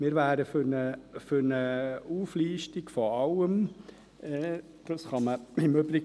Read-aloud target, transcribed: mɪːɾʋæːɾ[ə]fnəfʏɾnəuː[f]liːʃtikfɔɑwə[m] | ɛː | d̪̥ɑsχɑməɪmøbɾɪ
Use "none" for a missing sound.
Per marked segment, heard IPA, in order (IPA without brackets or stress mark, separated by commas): ə, f, m